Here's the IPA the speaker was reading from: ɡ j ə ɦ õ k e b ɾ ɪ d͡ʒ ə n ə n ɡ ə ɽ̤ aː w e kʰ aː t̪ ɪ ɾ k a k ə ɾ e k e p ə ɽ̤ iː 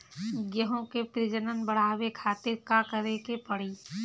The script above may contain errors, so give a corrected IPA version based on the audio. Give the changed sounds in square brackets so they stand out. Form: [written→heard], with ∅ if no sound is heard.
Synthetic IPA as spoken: ɡ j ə ɦ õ k e [b→p] ɾ ɪ d͡ʒ ə n ə n [ɡ→b] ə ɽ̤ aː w e kʰ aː t̪ ɪ ɾ k a k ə ɾ e k e p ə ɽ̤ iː